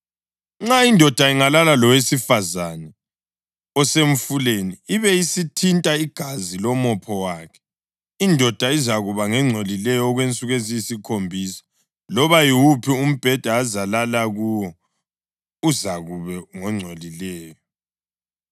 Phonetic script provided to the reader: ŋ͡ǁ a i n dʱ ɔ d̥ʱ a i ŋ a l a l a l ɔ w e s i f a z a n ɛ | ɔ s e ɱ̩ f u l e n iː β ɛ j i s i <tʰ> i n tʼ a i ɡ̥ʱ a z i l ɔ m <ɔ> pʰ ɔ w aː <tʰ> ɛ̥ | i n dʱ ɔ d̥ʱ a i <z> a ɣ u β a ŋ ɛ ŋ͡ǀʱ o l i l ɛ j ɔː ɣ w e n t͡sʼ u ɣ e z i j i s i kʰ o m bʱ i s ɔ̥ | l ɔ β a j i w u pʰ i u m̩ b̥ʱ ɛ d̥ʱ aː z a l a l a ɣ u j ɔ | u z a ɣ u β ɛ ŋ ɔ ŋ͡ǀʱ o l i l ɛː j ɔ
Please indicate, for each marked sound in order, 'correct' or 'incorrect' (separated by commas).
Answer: correct, correct, incorrect, correct